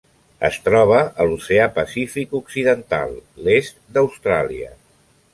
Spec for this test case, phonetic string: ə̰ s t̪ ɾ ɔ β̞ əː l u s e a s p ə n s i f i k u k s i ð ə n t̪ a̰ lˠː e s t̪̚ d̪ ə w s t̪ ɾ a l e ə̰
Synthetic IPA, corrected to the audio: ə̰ s t̪ ɾ ɔ β̞ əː l u s e a p ə s i f i k u k s i ð ə n t̪ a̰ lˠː e s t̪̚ d̪ ə w s t̪ ɾ a l i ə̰

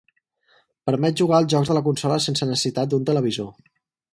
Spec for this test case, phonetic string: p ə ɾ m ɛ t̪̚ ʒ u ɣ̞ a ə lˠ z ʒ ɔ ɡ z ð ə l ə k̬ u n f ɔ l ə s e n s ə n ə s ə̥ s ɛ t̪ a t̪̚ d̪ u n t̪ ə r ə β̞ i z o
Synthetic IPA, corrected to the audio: p ə ɾ m ɛ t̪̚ ʒ u ɣ̞ a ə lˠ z ʒ ɔ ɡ z ð ə l ə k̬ u n s ɔ l ə s e n s ə n ə s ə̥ s i t̪ a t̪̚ d̪ u n t̪ ə l ə β̞ i z o

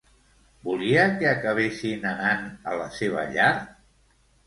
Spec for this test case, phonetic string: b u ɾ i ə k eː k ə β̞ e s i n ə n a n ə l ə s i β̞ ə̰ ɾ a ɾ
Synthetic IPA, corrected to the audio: b u l i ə k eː k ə β̞ e s i n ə n a n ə l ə s e β̞ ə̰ ʎ a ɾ

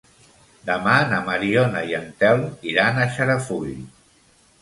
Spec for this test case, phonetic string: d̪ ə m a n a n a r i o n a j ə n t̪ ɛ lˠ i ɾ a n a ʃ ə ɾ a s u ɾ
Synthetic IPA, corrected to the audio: d̪ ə m a n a m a ɾ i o n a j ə n t̪ ɛ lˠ i ɾ a n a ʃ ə ɾ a f u ʎ

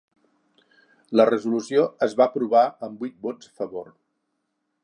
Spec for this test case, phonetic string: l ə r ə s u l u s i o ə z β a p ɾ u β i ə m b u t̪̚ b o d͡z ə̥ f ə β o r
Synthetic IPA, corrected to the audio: l ə r ə z u l u s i o ə z β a p ɾ u β a ə m b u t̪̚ b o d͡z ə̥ f ə β o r

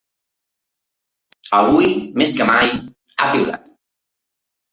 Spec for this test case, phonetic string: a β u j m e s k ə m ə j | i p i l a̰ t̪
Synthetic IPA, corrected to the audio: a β u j m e s k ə m a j | a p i l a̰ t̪

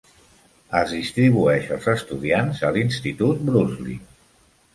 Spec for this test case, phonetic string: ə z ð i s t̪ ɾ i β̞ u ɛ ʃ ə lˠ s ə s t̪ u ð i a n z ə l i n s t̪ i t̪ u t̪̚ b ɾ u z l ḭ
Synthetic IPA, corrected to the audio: ə z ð i s t̪ ɾ i β̞ u ɛ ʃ ə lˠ z ə s t̪ u ð i a n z ə l i n s t̪ i t̪ u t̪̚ b ɾ u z l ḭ

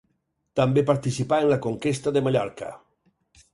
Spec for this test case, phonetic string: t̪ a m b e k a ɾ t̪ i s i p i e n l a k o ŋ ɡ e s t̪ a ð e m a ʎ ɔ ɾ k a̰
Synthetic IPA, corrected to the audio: t̪ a m b e p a ɾ t̪ i s i p a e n l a k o ŋ k e s t̪ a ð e m a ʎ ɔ ɾ k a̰

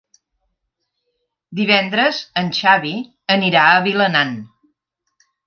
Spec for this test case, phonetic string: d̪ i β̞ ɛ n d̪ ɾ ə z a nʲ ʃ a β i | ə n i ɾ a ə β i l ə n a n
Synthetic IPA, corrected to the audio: d̪ i β̞ ɛ n d̪ ɾ ə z ə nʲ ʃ a β i | ə n i ɾ a ə β i l ə n a n

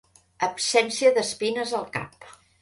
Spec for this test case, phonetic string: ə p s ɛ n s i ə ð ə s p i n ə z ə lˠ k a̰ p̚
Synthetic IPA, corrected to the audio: ə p s ɛ n s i ə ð ə s p i n ə z ə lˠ k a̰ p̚

